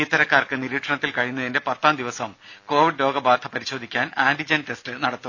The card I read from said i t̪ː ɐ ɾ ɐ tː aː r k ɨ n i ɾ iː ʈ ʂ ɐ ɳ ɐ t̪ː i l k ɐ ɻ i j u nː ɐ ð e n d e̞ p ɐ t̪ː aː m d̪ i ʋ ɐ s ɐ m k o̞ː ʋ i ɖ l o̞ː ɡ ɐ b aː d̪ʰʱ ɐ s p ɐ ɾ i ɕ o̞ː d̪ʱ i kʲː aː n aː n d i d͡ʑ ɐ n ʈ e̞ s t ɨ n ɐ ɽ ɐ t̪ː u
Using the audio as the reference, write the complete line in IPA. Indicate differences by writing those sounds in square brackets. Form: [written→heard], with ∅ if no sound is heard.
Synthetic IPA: i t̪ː ɐ ɾ ɐ [tː→kː] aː r k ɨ n i ɾ iː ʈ ʂ ɐ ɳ ɐ t̪ː i l k ɐ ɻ i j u nː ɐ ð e n d e̞ p ɐ t̪ː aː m d̪ i ʋ ɐ s ɐ m k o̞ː ʋ i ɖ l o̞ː ɡ ɐ b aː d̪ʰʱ ɐ [s→∅] p ɐ ɾ i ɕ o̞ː d̪ʱ i kʲː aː n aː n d i d͡ʑ ɐ n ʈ e̞ s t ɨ n ɐ ɽ ɐ t̪ː u